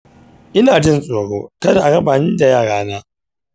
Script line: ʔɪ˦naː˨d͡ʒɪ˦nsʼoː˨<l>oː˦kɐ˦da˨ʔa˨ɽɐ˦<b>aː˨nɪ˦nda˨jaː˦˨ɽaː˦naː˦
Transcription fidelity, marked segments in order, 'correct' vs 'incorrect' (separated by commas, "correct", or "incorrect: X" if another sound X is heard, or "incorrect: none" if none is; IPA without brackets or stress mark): incorrect: ɽ, correct